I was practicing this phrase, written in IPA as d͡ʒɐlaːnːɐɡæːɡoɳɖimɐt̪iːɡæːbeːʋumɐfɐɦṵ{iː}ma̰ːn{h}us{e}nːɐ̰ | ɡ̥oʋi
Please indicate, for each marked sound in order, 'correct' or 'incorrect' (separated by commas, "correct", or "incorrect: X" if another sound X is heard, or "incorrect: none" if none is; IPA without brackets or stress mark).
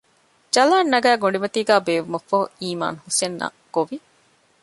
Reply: correct, correct, correct